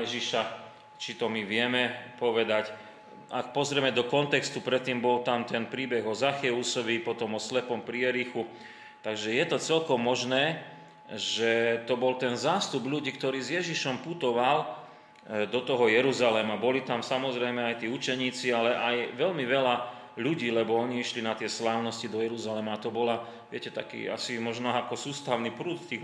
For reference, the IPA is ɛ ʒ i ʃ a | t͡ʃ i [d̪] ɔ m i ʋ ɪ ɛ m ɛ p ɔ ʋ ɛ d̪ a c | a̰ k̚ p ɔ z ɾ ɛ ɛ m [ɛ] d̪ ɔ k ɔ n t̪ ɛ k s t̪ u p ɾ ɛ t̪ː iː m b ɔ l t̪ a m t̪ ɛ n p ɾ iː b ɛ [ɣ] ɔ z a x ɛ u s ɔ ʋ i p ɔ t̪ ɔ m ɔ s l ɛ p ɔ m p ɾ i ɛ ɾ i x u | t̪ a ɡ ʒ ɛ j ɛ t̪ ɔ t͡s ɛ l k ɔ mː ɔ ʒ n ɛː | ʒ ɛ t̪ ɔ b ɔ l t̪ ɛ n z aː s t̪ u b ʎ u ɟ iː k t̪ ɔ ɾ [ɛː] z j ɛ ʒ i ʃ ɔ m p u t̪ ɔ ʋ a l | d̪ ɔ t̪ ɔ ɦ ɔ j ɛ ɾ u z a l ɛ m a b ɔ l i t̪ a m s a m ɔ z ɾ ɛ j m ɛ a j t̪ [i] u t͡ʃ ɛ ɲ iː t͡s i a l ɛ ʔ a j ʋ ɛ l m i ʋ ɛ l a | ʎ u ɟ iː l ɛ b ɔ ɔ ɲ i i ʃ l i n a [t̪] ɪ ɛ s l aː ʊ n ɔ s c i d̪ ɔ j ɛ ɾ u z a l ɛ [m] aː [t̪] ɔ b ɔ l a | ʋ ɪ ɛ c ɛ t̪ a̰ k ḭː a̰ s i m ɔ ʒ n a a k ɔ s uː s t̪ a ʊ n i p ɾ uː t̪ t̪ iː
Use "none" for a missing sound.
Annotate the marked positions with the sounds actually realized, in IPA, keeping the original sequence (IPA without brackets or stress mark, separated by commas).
t̪, ɛ, ɣ, iː, iː, t̪, m, t̪